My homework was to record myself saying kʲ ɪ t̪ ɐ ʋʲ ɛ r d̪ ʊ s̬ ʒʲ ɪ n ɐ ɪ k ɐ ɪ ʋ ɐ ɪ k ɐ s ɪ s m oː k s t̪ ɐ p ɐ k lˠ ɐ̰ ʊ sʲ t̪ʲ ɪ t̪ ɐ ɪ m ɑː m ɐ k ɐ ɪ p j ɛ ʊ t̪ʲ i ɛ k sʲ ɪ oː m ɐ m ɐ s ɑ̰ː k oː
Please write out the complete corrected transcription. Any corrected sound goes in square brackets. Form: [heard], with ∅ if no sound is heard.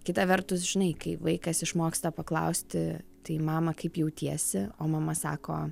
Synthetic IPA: kʲ ɪ t̪ ɐ ʋʲ ɛ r [t̪] ʊ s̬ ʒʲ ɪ n ɐ ɪ k ɐ ɪ ʋ ɐ ɪ k ɐ s ɪ [ʃ] m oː k s t̪ ɐ p ɐ k lˠ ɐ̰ ʊ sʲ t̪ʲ ɪ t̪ ɐ ɪ m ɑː m ɐ k ɐ ɪ p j ɛ ʊ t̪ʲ i ɛ [∅] sʲ ɪ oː m ɐ m ɐ s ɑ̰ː k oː